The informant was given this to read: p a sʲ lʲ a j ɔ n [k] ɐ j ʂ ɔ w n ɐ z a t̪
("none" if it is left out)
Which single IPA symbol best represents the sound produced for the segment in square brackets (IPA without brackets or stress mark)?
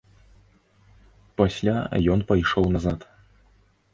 p